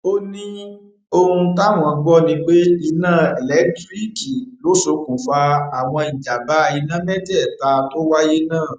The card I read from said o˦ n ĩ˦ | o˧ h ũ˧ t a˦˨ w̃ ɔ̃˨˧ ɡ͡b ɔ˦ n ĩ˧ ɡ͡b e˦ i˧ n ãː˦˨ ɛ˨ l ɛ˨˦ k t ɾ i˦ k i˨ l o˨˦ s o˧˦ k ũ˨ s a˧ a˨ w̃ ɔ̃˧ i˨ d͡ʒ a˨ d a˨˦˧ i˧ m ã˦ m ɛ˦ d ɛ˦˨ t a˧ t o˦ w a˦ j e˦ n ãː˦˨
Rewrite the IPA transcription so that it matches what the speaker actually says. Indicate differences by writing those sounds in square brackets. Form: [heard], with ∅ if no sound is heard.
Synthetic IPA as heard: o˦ n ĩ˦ | o˧ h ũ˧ t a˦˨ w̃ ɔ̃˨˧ ɡ͡b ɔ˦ n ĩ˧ ɡ͡b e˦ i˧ n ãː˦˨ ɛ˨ l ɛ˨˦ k t ɾ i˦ k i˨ l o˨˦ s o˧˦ k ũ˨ [f] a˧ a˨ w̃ ɔ̃˧ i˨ d͡ʒ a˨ [b] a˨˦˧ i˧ [n] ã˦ m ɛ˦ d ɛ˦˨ t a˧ t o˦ w a˦ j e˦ n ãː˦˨